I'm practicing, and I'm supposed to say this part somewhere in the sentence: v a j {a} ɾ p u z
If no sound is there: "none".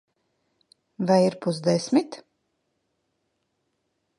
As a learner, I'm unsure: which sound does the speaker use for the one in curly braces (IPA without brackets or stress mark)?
i